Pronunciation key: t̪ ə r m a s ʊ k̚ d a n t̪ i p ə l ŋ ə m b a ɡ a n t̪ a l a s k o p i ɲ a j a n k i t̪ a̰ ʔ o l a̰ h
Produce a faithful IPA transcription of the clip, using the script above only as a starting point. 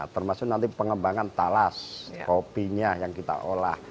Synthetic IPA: t̪ ə r m a s ʊ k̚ n a n t̪ i p ə ŋ ə m b a ŋ a n t̪ a l a s k o p i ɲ a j a ŋ k i t̪ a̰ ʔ o l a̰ h